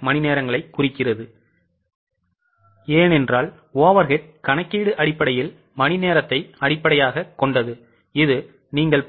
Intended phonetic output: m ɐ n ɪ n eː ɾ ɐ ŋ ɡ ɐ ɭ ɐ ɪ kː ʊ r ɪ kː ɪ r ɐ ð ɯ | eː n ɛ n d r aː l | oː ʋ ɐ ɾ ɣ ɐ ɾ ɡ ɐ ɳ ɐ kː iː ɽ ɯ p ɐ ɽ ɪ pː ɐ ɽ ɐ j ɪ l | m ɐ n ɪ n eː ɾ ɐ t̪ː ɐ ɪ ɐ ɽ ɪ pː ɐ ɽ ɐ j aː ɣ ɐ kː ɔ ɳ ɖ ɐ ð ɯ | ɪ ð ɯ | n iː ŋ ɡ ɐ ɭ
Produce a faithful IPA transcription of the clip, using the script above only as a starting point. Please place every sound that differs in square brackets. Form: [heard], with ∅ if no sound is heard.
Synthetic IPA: m ɐ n ɪ n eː ɾ ɐ ŋ ɡ ɐ ɭ ɐ ɪ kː ʊ r ɪ kː ɪ r ɐ ð ɯ | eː n ɛ n d r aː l | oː ʋ ɐ ɾ ɣ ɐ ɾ [k] ɐ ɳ ɐ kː iː ɽ ɯ [ʔ] ɐ ɽ ɪ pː ɐ ɽ ɐ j ɪ l | m ɐ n ɪ n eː ɾ ɐ t̪ː ɐ ɪ ɐ ɽ ɪ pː ɐ ɽ ɐ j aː ɣ ɐ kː ɔ ɳ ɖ ɐ ð ɯ | ɪ ð ɯ | n iː ŋ ɡ ɐ ɭ